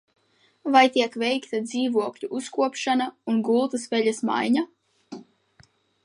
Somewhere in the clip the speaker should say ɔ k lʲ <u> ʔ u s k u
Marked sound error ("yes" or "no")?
no